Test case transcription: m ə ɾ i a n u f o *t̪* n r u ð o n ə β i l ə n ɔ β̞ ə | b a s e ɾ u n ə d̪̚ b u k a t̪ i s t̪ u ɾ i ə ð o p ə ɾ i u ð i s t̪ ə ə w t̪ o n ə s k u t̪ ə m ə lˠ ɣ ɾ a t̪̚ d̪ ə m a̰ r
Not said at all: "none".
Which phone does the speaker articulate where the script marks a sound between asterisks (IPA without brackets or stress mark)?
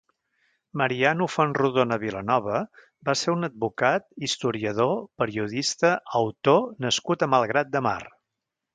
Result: none